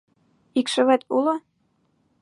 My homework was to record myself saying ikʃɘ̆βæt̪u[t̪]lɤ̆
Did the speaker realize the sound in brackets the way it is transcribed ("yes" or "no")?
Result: no